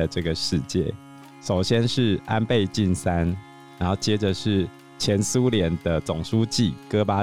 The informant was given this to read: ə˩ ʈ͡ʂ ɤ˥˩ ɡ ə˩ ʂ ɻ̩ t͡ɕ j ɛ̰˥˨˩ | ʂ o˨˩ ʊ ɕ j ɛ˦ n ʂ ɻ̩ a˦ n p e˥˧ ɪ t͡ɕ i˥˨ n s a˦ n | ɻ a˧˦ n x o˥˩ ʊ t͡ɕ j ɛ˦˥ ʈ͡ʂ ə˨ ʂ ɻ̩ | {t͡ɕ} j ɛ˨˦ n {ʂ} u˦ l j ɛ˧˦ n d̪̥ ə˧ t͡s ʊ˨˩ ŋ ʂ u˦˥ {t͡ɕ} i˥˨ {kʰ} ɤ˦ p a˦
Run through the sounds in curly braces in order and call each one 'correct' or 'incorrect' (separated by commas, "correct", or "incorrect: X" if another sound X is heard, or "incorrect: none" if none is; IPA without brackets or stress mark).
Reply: incorrect: t͡ɕʰ, incorrect: s, correct, incorrect: k